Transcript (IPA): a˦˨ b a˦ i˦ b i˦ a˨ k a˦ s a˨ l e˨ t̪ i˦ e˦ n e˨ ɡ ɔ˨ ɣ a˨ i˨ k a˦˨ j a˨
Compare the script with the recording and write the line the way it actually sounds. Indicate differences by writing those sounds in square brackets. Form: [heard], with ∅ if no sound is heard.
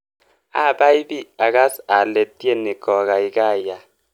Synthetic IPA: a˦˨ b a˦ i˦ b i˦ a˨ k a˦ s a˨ l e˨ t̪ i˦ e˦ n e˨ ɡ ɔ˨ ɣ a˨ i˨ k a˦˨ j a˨